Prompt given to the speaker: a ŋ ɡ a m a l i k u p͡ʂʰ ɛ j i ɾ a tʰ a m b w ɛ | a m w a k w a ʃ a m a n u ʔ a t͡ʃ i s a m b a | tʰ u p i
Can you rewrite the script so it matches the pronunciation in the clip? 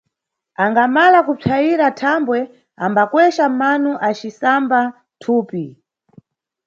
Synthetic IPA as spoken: a ŋ ɡ a m a l a k u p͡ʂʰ a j i ɾ a tʰ a m b w ɛ | a m b a k w ɛ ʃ a m a n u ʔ a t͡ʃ i s a m b a | tʰ uː p i